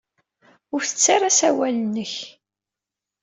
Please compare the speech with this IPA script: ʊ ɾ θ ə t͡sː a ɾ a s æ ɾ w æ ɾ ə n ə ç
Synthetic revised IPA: ʊ ɾ θ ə t͡sː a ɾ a s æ w æ l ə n ə ç